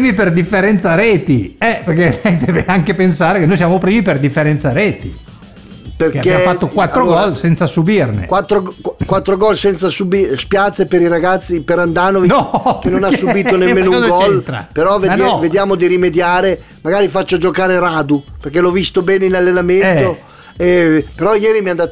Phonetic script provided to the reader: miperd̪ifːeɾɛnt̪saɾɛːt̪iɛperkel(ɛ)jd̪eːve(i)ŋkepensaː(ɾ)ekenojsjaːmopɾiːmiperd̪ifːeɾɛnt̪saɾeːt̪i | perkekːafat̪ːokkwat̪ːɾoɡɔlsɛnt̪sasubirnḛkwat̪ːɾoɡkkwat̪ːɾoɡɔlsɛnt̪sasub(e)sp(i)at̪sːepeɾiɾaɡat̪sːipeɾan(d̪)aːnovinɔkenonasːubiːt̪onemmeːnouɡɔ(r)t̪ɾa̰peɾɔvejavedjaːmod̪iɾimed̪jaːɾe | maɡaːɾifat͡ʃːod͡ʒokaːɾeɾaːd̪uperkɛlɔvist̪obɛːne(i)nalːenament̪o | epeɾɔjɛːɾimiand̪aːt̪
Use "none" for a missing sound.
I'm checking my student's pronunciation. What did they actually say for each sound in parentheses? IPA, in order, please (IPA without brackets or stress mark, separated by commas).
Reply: ɛ, a, ɾ, i, j, d̪, l, i